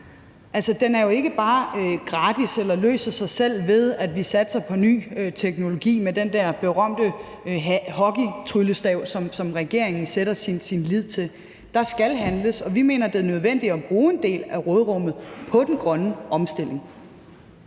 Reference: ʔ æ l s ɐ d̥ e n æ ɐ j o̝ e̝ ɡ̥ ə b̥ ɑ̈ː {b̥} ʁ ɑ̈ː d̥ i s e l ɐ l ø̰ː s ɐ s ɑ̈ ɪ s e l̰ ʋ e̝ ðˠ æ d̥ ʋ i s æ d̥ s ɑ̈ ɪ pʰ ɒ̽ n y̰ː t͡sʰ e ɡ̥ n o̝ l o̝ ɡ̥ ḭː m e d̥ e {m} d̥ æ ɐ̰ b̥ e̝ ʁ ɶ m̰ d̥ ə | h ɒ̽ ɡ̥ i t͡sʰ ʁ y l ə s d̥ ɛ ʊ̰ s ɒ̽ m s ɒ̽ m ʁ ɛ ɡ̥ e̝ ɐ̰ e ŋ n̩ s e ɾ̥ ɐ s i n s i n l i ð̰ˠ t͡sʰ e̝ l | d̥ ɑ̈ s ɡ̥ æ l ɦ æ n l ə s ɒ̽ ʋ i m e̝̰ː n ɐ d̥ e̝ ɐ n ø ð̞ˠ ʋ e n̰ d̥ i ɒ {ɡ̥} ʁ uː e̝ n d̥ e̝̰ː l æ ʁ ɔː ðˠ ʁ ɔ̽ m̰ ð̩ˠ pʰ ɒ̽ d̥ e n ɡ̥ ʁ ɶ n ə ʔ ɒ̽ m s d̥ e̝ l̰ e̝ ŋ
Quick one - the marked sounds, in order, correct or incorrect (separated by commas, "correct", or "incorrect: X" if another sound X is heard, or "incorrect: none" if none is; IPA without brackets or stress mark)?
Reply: incorrect: ɡ̥, incorrect: n, incorrect: b̥